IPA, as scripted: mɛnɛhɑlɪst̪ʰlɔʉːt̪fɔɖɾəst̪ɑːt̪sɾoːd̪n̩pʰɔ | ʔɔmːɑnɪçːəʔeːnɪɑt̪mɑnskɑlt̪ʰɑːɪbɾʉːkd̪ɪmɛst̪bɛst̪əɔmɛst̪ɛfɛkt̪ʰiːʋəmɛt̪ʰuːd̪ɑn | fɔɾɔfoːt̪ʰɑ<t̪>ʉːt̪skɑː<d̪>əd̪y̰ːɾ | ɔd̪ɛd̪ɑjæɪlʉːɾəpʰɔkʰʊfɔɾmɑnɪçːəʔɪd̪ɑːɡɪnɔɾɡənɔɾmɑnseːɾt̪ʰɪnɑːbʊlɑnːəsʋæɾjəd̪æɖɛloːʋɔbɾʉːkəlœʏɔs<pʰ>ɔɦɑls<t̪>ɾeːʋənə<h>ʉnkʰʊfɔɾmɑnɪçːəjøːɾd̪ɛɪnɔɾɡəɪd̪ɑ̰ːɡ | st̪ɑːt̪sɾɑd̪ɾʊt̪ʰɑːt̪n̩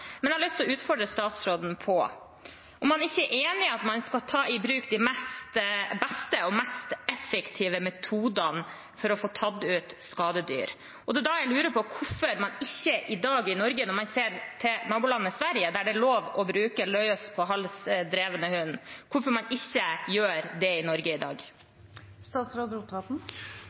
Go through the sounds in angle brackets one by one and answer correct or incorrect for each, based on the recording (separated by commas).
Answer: incorrect, correct, correct, incorrect, correct